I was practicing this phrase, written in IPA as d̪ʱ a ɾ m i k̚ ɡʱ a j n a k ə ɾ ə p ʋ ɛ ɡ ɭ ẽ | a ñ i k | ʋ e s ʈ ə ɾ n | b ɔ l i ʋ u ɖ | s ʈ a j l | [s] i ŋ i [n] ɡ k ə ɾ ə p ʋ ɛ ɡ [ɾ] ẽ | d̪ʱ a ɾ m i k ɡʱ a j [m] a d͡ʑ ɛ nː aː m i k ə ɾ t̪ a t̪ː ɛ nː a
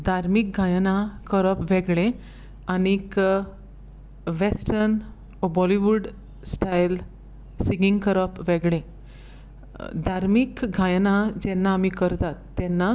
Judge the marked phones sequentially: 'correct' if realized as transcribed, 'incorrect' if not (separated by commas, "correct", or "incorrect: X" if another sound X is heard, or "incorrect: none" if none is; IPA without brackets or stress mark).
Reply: correct, incorrect: ŋ, incorrect: ɭ, incorrect: n